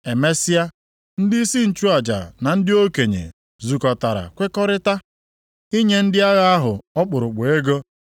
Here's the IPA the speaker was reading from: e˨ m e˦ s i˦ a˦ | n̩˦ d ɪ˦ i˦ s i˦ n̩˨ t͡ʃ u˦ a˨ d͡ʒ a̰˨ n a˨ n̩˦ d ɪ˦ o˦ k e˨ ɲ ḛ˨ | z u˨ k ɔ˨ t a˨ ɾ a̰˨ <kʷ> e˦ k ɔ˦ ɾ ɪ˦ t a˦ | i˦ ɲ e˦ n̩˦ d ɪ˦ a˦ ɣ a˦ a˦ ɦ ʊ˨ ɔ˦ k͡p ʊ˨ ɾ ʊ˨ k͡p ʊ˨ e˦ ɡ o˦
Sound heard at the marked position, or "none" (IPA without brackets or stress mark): kʷ